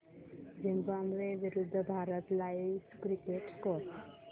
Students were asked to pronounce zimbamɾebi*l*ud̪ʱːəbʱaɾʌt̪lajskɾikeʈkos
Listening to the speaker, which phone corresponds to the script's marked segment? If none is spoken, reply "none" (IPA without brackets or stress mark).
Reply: ɾ